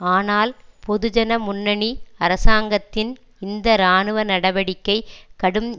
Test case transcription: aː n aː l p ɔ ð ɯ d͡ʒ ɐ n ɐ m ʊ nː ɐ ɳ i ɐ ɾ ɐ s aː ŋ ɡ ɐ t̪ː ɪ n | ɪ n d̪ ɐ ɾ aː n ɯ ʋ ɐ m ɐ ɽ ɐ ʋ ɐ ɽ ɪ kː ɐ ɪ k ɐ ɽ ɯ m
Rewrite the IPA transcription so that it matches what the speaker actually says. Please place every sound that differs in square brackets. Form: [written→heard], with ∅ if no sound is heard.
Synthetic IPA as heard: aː n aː l p ɔ ð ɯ d͡ʒ ɐ n ɐ m ʊ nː ɐ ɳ i ɐ ɾ ɐ s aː ŋ ɡ ɐ t̪ː ɪ n | ɪ n d̪ ɐ ɾ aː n ɯ ʋ ɐ [m→n] ɐ ɽ ɐ ʋ ɐ ɽ ɪ kː ɐ ɪ k ɐ ɽ ɯ m